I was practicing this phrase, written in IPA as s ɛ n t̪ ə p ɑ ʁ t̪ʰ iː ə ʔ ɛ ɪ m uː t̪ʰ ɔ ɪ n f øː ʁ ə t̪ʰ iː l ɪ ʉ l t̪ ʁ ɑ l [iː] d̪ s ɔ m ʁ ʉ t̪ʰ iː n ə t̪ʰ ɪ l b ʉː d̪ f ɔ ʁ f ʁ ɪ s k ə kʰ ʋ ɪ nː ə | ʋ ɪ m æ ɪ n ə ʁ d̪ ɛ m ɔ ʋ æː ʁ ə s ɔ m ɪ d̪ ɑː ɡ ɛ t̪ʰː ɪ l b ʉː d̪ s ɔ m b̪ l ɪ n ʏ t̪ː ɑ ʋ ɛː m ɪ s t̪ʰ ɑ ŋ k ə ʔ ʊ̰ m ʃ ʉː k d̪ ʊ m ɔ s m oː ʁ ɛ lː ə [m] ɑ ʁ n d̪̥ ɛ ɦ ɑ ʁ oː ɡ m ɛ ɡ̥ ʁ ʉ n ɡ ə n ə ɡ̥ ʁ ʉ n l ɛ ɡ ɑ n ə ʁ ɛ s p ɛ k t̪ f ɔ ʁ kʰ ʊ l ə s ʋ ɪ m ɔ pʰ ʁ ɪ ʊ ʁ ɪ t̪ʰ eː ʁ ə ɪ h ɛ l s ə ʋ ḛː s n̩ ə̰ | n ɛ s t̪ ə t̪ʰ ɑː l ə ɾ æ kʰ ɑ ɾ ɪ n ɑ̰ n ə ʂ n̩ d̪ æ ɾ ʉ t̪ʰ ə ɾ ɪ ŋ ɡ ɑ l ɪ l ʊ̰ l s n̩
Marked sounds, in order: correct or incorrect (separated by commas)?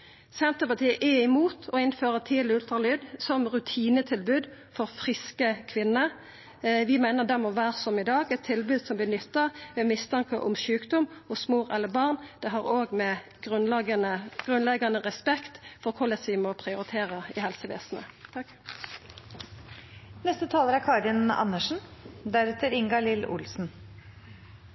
incorrect, incorrect